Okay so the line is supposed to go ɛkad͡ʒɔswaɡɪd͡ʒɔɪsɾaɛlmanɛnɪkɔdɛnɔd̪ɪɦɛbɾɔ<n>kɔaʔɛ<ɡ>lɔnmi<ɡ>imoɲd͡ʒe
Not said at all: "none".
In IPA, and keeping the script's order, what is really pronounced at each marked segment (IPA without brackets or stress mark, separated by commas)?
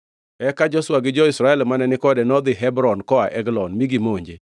n, ɡ, ɡ